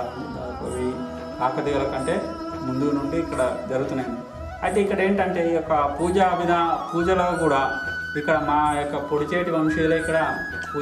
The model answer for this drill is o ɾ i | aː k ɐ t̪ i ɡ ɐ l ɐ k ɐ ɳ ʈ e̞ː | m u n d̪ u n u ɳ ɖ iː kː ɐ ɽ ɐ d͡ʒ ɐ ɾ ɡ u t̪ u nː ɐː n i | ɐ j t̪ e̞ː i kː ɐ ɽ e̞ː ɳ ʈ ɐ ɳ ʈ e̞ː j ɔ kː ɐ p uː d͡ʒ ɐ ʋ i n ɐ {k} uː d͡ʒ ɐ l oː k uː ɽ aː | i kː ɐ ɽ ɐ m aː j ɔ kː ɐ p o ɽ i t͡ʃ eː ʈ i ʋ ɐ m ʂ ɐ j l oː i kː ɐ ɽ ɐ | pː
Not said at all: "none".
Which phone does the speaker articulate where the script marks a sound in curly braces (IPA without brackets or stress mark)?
p